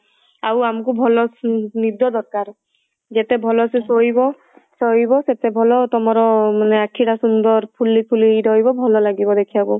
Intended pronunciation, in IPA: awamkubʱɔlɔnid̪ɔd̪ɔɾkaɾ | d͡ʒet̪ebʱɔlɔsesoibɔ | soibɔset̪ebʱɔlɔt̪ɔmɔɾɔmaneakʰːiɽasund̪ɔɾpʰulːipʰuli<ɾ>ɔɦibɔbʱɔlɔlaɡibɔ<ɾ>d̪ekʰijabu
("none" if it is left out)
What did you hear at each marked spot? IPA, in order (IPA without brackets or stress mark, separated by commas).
ɾ, none